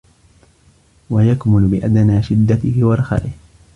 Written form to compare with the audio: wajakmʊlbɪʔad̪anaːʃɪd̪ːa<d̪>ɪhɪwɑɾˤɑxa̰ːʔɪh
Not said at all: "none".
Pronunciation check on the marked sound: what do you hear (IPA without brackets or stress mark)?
t̪